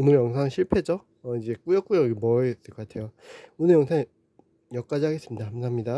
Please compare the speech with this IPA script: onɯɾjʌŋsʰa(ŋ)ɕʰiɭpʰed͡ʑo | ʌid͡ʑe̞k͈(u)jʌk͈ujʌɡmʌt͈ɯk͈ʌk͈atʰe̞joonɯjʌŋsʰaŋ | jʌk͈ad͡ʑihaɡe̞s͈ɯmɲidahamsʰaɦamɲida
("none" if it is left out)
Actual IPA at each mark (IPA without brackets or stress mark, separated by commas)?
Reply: ŋ, u